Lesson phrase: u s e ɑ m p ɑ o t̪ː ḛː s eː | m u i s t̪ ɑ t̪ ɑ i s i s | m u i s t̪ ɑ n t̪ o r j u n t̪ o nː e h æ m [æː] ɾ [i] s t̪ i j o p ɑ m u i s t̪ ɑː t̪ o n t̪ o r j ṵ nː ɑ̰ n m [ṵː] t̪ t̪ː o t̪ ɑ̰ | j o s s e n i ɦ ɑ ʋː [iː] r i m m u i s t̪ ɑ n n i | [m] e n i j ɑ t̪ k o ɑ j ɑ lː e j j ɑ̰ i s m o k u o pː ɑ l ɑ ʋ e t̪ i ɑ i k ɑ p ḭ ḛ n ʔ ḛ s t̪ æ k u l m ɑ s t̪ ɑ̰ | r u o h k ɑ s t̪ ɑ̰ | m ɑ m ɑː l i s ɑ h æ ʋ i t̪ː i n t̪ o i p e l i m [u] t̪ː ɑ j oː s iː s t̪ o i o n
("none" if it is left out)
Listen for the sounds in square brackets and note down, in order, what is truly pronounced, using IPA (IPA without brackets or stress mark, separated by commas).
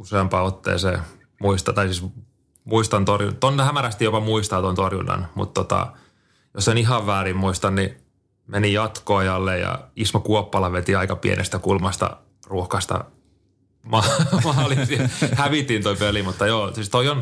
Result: æ, æ, ṵ, æː, m, u